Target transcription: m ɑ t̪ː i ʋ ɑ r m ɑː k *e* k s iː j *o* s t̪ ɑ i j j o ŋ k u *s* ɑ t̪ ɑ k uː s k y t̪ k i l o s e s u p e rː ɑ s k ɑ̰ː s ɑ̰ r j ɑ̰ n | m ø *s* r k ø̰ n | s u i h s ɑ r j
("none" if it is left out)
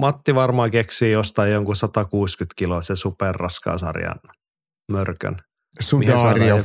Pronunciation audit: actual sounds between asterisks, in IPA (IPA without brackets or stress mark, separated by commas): e, o, s, none